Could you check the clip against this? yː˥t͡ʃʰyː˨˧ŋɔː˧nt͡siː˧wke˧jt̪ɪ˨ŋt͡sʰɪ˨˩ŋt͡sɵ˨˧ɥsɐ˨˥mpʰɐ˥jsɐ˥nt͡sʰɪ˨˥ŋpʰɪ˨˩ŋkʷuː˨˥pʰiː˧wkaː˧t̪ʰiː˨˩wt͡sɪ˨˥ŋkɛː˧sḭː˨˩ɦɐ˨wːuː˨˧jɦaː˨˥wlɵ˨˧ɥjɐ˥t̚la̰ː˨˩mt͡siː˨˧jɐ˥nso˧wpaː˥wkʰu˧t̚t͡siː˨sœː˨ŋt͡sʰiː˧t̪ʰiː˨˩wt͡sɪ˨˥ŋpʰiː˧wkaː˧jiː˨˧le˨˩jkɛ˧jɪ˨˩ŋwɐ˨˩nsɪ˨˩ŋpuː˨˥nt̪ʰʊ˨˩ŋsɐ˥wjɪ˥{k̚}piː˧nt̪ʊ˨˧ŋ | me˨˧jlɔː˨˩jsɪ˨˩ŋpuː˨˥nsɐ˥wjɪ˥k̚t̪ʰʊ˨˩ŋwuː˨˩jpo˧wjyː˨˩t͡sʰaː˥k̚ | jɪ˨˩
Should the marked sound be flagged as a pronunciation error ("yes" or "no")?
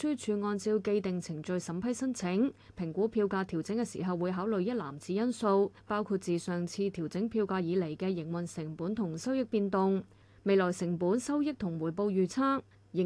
no